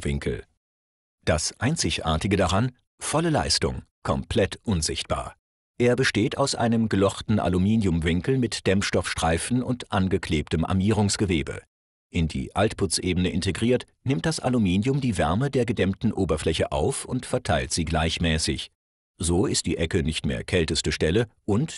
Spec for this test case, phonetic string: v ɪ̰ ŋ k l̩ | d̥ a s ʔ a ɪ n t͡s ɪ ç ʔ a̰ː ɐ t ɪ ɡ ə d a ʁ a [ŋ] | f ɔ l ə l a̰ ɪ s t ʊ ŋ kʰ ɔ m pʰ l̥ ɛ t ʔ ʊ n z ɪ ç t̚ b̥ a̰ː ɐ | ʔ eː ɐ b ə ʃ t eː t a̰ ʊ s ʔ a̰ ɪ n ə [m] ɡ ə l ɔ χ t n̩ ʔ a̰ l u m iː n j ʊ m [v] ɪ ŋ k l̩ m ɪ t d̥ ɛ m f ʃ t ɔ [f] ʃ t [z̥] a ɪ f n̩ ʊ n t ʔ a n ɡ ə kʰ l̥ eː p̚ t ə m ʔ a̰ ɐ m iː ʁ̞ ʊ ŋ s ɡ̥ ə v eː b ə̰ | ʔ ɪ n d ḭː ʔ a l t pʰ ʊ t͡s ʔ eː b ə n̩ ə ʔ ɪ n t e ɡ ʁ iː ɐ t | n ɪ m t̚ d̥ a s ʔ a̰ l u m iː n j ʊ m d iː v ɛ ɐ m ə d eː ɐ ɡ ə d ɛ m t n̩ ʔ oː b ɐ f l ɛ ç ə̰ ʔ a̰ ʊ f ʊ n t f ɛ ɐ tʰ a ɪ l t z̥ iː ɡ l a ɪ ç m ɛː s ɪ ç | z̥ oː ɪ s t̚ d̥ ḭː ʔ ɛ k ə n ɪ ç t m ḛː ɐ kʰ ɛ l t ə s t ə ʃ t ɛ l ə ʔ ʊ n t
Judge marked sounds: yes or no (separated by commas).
no, yes, yes, yes, no